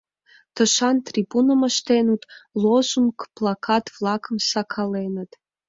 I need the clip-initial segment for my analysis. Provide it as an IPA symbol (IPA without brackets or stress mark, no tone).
t̪